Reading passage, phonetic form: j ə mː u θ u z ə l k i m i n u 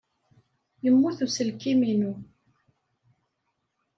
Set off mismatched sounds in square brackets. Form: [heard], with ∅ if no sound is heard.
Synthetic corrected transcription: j ə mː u θ u [s] ə l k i m i n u